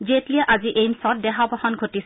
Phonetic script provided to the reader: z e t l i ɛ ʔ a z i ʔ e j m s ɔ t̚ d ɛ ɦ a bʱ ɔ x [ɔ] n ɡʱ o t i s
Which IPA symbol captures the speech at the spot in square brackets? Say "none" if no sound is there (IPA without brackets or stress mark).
ɔ